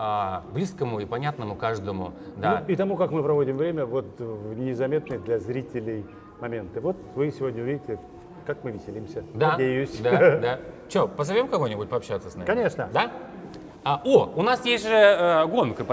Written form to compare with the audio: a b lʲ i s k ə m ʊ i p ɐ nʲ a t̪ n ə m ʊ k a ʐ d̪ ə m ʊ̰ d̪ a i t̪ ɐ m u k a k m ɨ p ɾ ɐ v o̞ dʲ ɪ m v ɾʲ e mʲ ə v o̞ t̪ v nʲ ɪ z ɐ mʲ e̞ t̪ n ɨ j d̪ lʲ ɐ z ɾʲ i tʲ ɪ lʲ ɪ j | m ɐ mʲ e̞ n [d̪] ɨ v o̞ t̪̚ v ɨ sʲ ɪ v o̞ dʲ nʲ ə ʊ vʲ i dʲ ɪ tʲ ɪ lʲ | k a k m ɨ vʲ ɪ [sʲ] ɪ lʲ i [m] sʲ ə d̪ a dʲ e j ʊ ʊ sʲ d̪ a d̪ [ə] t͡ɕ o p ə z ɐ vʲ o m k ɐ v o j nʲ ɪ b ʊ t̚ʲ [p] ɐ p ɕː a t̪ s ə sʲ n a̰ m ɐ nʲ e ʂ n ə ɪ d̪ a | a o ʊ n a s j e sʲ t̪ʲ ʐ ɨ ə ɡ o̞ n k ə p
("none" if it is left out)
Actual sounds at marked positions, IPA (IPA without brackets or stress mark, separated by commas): t̪, sʲ, m, a, p